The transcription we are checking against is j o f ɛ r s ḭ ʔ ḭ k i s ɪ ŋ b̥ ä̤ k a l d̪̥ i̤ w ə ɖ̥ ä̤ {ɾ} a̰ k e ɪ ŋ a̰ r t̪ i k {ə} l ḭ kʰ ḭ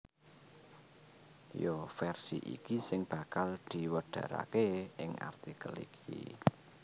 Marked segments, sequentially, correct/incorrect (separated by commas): correct, correct